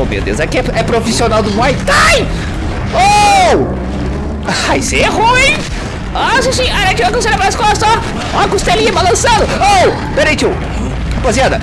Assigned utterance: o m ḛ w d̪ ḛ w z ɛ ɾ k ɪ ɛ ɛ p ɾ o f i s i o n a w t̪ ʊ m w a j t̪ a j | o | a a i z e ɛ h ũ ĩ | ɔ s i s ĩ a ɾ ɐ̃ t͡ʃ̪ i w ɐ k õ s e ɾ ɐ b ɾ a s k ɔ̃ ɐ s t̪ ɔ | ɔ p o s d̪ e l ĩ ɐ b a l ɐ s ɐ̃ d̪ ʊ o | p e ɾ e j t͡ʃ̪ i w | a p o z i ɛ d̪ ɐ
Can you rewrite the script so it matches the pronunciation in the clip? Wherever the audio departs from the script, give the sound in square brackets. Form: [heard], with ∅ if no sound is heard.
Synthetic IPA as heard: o m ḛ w d̪ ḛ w z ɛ [∅] k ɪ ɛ ɛ p ɾ o f i s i o n a w [d̪] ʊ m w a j t̪ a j | o | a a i [s] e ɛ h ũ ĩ | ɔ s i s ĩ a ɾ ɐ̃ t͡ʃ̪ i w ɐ k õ s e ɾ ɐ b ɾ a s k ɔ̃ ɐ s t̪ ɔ | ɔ [k] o s [t̪] e l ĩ ɐ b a l [ɐ̃] s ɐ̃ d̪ ʊ o | p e ɾ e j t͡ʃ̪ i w | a p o z i [a] d̪ ɐ